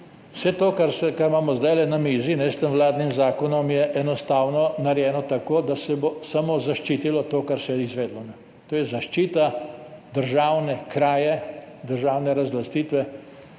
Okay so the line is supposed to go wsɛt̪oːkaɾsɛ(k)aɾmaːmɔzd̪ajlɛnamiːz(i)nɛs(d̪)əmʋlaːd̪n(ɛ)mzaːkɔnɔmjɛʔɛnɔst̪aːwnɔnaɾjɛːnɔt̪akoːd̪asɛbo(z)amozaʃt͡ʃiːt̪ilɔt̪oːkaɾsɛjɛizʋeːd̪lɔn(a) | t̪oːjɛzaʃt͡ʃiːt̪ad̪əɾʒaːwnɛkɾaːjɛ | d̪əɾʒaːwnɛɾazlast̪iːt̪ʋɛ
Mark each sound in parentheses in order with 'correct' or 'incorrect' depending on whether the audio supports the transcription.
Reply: correct, correct, incorrect, incorrect, incorrect, incorrect

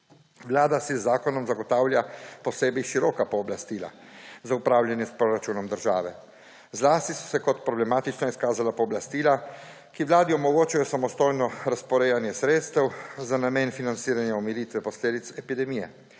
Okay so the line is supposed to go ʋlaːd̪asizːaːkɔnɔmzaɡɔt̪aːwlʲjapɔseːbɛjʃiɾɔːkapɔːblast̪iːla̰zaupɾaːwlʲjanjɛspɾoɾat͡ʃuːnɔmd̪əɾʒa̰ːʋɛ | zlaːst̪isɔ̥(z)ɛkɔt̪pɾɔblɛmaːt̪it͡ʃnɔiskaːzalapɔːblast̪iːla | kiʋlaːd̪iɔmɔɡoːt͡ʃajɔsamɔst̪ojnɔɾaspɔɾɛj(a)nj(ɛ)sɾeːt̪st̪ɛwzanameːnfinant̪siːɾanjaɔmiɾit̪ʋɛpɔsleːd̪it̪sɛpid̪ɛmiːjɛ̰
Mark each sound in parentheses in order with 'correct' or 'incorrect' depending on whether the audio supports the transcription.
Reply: incorrect, correct, correct

